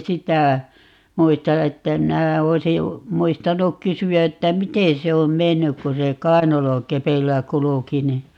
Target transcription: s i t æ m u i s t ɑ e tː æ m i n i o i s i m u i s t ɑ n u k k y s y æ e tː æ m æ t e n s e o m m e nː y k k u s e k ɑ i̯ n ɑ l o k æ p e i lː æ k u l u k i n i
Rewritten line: s i t æ m u i s t ɑ e tː æ m i n æ o i s i m u i s t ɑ n u k k y s y æ e tː æ m i t e n s e o m m e nː y k k u s e k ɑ i̯ n ɑ l o k e p e i lː æ k u l u k i n i

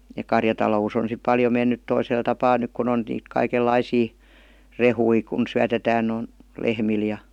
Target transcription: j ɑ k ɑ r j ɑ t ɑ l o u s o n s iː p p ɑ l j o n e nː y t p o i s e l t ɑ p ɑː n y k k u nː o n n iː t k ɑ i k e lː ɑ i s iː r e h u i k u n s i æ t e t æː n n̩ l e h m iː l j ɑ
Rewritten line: j ɑ k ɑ r j ɑ t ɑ l o u s o n s i p p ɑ l j o m e nː y t t o i s e l t ɑ p ɑː n y k k u n o n n iː t k ɑ i k e lː ɑ i s iː r e h u i k u n s y æ t e t æː n n̩ l e h m i l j ɑ

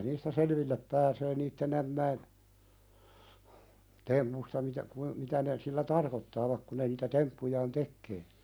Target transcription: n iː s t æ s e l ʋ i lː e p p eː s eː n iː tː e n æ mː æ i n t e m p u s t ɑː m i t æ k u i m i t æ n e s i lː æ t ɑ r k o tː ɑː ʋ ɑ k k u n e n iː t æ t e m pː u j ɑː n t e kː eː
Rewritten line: n iː s t æ s e l ʋ i lː e p p æː s eː n iː tː e n æ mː æ i n t e m p u s t ɑ m i t æ k u i m i t æ n e s i lː æ t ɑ r k o tː ɑː ʋ ɑ k k u n e n iː t æ t e m pː u j ɑː n t e kː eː

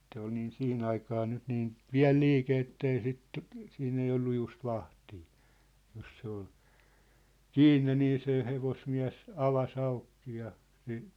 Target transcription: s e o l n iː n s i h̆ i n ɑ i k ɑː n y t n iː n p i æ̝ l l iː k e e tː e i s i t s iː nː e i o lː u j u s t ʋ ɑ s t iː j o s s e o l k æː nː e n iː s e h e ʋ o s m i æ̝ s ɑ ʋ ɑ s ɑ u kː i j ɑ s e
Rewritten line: s e o l n iː n s i h̆ i n ɑ i k ɑː n y t n iː n p i æ̝ l l iː k e e tː e i s i t s iː nː e i o lː u j u s t ʋ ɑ h t iː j o s s e o l k iː nː e n iː s e h e ʋ o s m i æ̝ s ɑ ʋ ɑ s ɑ u kː i j ɑ s e

